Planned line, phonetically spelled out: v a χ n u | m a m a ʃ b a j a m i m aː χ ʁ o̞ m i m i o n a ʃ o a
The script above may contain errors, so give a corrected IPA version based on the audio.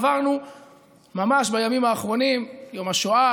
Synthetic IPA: v a ʁ n u | m a m a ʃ b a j a m i m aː χ ʁ o̞ n i m j o m a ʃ o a